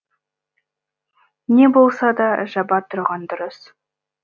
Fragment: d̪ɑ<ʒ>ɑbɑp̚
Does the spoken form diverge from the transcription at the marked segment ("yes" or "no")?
no